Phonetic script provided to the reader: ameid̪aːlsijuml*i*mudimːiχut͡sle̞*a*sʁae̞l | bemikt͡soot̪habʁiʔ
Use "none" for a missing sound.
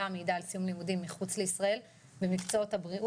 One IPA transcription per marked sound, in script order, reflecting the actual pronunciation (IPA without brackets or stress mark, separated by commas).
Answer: i, i